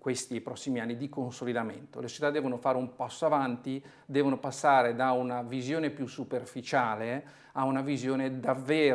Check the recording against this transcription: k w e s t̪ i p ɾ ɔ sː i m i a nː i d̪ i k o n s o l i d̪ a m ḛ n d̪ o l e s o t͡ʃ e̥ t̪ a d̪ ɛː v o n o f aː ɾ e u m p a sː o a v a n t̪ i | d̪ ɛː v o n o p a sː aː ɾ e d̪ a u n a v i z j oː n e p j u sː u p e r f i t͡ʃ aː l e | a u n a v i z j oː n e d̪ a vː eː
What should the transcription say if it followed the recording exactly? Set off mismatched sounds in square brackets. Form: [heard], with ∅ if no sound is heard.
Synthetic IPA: k w e s t̪ i p ɾ ɔ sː i m i a nː i d̪ i k o n s o l i d̪ a m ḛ n [t̪] o l e s o t͡ʃ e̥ t̪ a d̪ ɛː v o n o f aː ɾ e u m p a sː o a v a n t̪ i | d̪ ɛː v o n o p a sː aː ɾ e d̪ a u n a v i z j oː n e p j u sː u p e r f i t͡ʃ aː l e | a u n a v i z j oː n e d̪ a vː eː